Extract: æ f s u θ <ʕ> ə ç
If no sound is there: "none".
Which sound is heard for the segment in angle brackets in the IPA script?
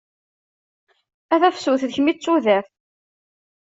ð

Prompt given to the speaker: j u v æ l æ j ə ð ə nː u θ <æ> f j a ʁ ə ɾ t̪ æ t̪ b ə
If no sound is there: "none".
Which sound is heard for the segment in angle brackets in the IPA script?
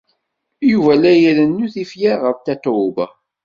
i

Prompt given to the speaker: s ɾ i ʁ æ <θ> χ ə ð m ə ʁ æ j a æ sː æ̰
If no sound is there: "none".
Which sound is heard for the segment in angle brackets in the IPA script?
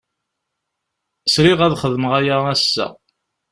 ð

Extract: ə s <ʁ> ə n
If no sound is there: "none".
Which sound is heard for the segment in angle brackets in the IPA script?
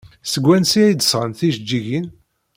ʁ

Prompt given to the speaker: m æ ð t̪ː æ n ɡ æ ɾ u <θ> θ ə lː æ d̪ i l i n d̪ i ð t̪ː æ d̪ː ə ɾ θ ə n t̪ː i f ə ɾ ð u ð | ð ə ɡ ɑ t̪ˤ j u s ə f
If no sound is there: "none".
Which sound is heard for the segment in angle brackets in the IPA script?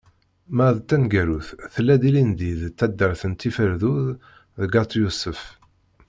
θ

